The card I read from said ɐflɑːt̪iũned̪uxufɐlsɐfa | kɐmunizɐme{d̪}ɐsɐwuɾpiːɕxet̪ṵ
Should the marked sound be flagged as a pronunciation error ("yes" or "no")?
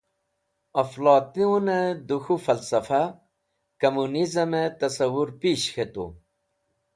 yes